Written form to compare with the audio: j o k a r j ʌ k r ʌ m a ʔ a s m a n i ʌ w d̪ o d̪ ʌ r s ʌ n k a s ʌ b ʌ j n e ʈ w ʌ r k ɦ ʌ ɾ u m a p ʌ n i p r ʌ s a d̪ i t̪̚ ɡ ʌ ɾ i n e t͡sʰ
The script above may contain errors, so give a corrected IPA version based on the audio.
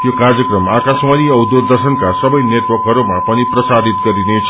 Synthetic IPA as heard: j o k a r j ʌ k r ʌ m a k a s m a n i ʌ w d̪ o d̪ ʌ r s ʌ n k a s ʌ b ʌ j n e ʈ w ʌ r k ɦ ʌ ɾ u m a p ʌ n i p r ʌ s a d̪ i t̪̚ ɡ ʌ ɾ i n e t͡sʰ